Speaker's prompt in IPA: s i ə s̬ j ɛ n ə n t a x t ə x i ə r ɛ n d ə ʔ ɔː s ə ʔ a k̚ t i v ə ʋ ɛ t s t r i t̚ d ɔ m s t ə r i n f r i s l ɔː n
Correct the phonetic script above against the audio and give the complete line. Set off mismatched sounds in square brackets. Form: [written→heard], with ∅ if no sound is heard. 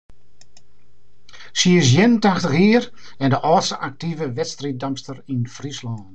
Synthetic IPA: s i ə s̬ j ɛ n ə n t a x t ə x i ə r ɛ n d ə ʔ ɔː s ə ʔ a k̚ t i v ə ʋ ɛ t s t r i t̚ d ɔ m s t ə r i n f r i s l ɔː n